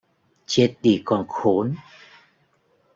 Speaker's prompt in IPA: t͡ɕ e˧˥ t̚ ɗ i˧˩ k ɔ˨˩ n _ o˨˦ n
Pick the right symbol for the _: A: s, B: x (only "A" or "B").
B